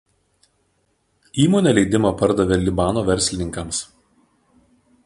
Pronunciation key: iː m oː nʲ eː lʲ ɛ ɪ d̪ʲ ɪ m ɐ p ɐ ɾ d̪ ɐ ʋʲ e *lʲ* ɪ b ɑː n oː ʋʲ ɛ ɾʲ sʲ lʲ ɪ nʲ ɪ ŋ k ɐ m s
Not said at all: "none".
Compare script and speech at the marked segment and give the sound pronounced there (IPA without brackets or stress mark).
lʲ